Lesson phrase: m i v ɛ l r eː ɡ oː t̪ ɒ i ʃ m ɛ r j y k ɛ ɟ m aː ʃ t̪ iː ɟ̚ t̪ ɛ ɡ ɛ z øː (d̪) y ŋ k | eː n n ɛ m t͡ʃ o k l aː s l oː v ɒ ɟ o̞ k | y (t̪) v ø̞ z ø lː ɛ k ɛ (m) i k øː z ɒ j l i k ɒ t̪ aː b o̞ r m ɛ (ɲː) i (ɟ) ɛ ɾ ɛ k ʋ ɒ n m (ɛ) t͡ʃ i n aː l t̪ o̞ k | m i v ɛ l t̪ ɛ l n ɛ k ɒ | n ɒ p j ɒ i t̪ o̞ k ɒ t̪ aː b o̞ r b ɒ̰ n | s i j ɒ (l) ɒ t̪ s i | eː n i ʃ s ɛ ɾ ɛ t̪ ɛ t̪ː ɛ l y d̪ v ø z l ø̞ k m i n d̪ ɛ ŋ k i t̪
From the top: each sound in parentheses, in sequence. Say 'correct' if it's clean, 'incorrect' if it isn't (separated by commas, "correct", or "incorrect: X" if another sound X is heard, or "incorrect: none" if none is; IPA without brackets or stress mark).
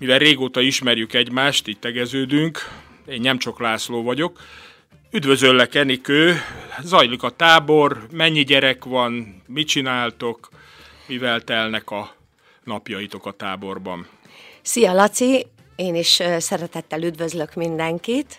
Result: correct, incorrect: d̪, incorrect: n, correct, correct, incorrect: i, correct